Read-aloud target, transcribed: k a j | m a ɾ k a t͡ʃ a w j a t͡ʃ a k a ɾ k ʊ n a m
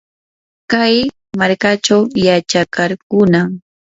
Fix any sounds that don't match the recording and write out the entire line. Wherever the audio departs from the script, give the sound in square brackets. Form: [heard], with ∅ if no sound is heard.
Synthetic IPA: k a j | m a ɾ k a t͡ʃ a w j a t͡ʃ a k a ɾ k ʊ n a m

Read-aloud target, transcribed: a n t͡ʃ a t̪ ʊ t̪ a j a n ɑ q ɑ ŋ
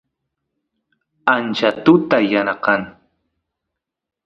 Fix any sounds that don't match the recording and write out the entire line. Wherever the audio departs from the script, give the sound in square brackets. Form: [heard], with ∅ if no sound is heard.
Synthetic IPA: a n t͡ʃ a t̪ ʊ t̪ a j a n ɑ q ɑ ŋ

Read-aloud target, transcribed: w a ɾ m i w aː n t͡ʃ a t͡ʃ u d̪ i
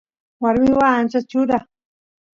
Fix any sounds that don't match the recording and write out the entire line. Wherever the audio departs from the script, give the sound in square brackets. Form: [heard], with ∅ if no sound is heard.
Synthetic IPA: w a ɾ m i w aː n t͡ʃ a t͡ʃ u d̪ [a]

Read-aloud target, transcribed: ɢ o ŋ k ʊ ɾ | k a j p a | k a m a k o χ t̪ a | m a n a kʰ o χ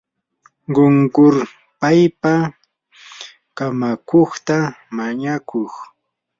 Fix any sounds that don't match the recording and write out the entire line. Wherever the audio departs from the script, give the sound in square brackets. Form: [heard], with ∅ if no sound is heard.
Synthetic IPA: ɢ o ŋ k ʊ ɾ | [p] a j p a | k a m a k o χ t̪ a | m a [ɲ] a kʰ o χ

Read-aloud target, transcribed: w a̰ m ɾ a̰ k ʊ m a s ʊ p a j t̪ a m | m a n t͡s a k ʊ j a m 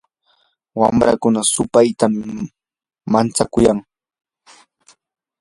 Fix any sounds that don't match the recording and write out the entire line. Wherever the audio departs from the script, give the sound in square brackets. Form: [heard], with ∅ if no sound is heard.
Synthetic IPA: w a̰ m ɾ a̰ k ʊ [n] a s ʊ p a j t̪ a m | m a n t͡s a k ʊ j a [ŋ]

